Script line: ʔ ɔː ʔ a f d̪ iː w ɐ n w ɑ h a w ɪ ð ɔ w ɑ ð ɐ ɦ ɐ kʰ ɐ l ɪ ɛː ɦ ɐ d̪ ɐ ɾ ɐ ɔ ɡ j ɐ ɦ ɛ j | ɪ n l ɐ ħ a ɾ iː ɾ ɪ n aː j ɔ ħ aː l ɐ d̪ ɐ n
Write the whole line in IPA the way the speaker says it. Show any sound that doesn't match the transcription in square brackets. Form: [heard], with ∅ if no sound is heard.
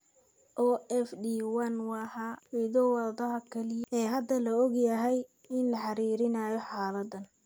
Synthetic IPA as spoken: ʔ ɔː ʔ [ɛ] f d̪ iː w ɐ n w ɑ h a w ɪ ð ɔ w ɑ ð ɐ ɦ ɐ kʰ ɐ l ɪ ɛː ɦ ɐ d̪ ɐ [l] ɐ ɔ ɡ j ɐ ɦ ɛ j | ɪ n l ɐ ħ [ɑ] ɾ iː ɾ ɪ n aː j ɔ ħ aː l ɐ d̪ ɐ n